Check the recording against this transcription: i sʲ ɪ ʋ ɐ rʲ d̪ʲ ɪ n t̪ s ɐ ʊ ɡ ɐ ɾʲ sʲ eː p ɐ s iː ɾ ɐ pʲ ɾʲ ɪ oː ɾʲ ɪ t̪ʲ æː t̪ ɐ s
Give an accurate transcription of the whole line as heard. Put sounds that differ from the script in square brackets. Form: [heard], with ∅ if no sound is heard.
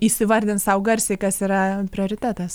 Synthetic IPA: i sʲ ɪ ʋ ɐ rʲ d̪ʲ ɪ n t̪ s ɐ ʊ ɡ ɐ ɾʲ sʲ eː [k] ɐ s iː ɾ ɐ pʲ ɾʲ ɪ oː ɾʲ ɪ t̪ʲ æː t̪ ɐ s